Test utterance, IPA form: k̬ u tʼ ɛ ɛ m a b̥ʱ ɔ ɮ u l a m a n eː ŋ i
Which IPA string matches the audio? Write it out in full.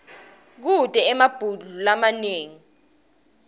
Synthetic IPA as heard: k̬ u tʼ ɛ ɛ m a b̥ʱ u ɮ u l a m a n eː ŋ i

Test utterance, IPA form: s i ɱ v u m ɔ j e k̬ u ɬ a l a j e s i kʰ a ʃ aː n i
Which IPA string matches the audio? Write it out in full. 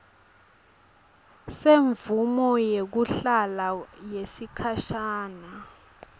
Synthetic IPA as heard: s e ɱ v u m ɔ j e k̬ u ɬ a l a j e s i kʰ a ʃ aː n a

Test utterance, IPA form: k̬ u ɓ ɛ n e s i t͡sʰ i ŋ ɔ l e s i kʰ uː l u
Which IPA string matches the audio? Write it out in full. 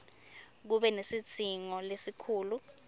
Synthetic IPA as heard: k̬ u ɓ ɛ n e s i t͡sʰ i ŋ ɔ l e s i kʰ uː l u

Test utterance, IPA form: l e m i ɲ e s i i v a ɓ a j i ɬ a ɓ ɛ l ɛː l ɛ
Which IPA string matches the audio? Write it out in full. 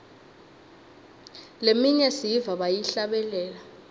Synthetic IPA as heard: l e m i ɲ ɛ s i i v a ɓ a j i ɬ a ɓ ɛ l ɛː l a

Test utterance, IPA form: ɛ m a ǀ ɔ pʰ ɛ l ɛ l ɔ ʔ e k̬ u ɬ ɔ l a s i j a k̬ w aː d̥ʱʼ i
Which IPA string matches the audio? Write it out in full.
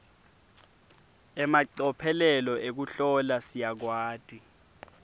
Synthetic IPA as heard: ɛ m a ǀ ɔ pʰ ɛ l ɛ l ɔ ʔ e k̬ u ɬ ɔ l a s i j a k̬ w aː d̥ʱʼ i

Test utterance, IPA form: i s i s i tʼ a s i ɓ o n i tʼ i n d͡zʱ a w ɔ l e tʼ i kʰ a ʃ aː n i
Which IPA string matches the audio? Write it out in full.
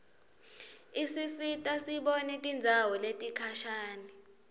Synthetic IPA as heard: i s i s i tʼ a s i ɓ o n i tʼ i n d͡zʱ a w ɔ l e tʼ i kʰ a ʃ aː n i

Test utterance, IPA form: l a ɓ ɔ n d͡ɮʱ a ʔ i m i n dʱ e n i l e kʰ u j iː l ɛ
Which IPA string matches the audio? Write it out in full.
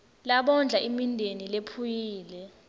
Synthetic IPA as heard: l a ɓ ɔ n d͡ɮʱ a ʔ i m i n dʱ e n i l e pʰ u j iː l ɛ

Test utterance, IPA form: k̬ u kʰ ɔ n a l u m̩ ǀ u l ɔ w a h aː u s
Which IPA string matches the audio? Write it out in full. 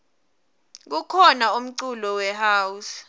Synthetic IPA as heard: k̬ u kʰ ɔ n a u m̩ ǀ u l ɔ w ɛ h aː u s

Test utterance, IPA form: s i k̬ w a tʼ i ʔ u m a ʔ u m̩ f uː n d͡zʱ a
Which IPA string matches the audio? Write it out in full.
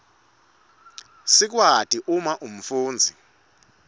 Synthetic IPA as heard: s i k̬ w a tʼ i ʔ u m a ʔ u m̩ f uː n d͡zʱ i

